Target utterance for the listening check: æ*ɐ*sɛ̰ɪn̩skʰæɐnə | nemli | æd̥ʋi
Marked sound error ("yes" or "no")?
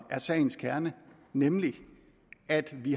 no